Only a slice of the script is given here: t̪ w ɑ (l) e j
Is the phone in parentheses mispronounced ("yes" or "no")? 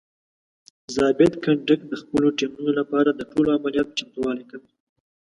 no